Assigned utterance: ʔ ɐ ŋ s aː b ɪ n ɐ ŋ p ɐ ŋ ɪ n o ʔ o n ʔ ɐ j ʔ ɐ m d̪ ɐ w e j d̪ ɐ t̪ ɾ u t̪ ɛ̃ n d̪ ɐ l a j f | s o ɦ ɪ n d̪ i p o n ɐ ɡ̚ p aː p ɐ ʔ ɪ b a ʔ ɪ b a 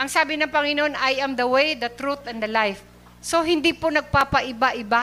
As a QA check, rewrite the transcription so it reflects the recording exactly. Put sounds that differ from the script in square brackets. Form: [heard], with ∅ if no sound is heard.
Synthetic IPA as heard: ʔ ɐ ŋ s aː b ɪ n ɐ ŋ p ɐ ŋ ɪ n o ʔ o n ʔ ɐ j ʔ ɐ m d̪ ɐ w e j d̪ ɐ t̪ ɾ u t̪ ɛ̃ n d̪ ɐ l a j f | s o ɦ ɪ n d̪ i p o n ɐ ɡ̚ p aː p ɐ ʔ ɪ b a ʔ ɪ b a